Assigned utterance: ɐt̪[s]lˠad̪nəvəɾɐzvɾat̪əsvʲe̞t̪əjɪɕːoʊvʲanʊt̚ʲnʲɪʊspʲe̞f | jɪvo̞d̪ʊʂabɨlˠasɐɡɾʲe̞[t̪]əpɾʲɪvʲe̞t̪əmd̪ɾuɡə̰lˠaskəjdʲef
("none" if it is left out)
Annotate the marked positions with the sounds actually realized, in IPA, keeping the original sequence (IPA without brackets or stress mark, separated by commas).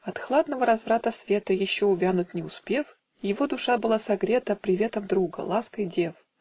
x, t̪